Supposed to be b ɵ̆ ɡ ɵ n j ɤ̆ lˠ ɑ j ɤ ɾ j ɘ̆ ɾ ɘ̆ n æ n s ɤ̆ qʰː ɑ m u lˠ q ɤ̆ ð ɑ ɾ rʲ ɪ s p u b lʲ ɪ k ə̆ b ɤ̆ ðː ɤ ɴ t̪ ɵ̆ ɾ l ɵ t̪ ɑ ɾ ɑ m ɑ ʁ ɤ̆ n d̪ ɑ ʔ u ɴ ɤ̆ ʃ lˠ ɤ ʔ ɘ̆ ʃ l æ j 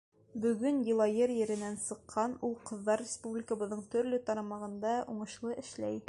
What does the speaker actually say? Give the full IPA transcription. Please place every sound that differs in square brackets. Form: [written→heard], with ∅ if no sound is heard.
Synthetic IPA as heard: b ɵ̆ ɡ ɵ n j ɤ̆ lˠ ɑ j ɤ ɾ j ɘ̆ ɾ ɘ̆ n æ n s ɤ̆ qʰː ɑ [m→n] u lˠ q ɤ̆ [ð→ðː] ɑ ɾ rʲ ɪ s p u b lʲ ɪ k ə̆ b ɤ̆ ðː ɤ ɴ t̪ ɵ̆ ɾ l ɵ t̪ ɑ ɾ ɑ m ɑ ʁ ɤ̆ n d̪ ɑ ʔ u ɴ ɤ̆ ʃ lˠ ɤ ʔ ɘ̆ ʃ l æ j